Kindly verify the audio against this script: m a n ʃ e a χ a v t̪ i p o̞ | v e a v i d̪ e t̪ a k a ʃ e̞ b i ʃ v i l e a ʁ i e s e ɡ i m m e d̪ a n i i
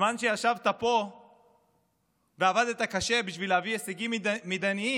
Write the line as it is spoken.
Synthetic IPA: m a n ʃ e a ʃ a v t̪ a p o̞ | v e a v a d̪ e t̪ a k a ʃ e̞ b i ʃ v i l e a v i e s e ɡ i m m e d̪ a n i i